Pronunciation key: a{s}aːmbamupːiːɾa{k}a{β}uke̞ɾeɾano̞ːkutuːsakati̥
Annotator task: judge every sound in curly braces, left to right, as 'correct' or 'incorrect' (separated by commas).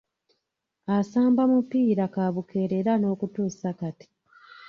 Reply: correct, correct, correct